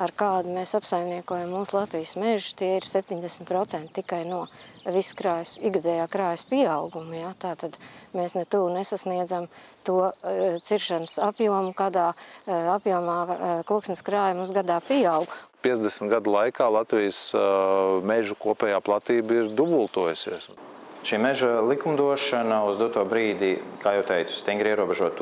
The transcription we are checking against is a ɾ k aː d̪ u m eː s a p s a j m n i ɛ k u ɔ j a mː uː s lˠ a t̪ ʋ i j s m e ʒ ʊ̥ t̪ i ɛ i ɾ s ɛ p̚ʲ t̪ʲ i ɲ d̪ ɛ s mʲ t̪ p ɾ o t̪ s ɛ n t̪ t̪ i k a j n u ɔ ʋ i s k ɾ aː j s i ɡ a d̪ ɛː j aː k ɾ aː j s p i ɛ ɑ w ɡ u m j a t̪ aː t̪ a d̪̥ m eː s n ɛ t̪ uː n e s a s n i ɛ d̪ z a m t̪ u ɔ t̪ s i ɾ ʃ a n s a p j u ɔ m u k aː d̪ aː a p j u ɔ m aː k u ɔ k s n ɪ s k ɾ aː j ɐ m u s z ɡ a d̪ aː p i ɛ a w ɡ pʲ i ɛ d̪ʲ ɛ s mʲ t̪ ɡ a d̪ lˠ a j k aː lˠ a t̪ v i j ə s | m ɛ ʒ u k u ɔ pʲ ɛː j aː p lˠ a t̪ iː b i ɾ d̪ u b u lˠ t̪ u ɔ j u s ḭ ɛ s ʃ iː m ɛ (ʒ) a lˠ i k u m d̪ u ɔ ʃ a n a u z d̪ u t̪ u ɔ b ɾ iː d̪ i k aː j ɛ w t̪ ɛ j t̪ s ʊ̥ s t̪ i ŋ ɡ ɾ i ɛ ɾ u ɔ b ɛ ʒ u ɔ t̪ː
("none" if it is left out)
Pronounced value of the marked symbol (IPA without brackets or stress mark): ʒ